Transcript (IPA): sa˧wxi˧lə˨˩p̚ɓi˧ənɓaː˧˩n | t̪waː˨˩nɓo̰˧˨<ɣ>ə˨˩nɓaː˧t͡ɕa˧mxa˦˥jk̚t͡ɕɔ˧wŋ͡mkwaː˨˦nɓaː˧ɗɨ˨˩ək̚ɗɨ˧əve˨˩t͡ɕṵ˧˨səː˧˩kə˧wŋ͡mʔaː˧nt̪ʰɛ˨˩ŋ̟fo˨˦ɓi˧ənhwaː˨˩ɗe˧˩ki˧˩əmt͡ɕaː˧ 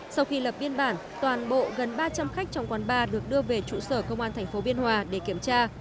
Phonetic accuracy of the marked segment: correct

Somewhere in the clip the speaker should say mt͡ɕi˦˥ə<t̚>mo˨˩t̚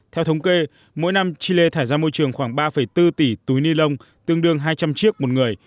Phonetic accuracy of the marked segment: incorrect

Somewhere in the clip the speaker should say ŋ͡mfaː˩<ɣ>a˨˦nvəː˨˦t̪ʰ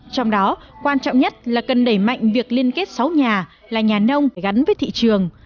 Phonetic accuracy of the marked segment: correct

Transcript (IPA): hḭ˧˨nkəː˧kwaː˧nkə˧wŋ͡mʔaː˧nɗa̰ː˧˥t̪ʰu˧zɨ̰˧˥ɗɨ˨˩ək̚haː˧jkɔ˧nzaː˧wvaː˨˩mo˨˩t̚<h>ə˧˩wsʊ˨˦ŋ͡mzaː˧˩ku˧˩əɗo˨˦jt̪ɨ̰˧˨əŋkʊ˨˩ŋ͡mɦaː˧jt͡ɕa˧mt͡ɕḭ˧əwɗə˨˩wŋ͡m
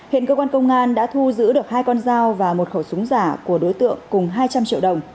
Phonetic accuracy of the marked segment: incorrect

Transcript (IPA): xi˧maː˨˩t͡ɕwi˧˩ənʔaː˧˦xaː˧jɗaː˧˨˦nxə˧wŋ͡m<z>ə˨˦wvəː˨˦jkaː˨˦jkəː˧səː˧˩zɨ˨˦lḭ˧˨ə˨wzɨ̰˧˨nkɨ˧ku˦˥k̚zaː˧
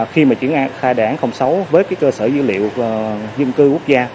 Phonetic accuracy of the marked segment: incorrect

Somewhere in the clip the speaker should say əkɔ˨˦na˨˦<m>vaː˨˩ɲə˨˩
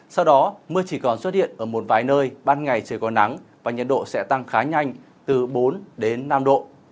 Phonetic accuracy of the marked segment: incorrect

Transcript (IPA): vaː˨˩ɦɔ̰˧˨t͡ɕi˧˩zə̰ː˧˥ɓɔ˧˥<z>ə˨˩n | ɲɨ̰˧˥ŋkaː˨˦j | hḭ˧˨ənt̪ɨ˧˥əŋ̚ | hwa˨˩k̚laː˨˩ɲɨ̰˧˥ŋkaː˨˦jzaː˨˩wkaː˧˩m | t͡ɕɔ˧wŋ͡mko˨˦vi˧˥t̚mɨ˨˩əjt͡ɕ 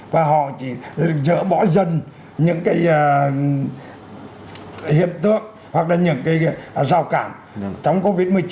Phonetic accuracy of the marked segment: correct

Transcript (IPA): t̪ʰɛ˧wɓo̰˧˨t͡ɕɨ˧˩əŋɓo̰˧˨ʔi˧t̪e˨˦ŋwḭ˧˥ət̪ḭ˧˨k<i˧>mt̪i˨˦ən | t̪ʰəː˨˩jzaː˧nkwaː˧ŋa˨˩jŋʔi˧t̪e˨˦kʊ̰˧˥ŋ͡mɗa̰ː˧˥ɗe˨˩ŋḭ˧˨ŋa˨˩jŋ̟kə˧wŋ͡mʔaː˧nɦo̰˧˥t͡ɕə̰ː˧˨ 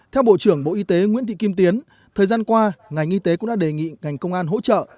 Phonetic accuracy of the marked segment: correct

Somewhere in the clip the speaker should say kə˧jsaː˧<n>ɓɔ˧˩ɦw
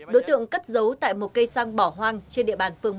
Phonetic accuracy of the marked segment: incorrect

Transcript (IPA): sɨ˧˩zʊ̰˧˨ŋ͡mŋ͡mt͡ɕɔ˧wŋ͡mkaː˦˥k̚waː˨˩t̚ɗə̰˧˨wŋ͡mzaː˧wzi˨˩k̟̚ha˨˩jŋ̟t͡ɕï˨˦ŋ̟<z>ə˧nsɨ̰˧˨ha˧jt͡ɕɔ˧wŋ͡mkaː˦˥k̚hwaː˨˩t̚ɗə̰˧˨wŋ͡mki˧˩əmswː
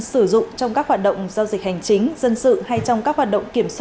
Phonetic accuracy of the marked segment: correct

